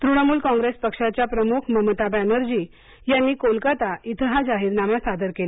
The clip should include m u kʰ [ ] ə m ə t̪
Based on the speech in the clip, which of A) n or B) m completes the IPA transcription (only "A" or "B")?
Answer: B